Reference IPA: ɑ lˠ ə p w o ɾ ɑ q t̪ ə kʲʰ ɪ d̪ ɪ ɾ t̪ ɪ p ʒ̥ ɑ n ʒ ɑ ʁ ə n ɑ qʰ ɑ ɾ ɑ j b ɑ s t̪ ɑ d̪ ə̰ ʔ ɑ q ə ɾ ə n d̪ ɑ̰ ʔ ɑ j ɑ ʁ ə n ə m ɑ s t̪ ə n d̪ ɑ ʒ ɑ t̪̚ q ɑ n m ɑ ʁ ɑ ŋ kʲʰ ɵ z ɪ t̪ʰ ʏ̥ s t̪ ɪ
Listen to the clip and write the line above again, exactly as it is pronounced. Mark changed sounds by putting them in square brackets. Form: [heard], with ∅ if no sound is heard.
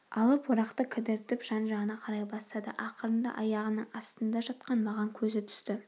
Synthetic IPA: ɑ lˠ ə p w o ɾ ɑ q t̪ ə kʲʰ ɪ d̪ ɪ ɾ t̪ ɪ p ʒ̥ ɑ n ʒ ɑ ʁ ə n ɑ qʰ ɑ ɾ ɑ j b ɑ s t̪ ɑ d̪ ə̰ ʔ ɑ q ə ɾ ə n d̪ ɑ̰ ʔ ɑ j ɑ ʁ ə n ə [ɴ] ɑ s t̪ ə n d̪ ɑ ʒ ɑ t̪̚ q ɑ n m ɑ ʁ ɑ ŋ kʲʰ ɵ z ɪ t̪ʰ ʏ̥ s t̪ ɪ